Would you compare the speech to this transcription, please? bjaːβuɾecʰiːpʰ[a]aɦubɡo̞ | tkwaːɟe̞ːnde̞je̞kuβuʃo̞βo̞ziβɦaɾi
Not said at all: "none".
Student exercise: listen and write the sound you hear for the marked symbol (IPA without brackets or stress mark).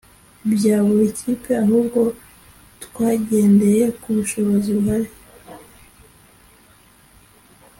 e